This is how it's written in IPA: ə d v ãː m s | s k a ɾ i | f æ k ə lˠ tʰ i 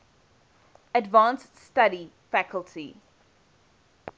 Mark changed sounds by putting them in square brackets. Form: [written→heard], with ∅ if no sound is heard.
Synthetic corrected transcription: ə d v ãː [m→n] s | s [k→t] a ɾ i | f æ k ə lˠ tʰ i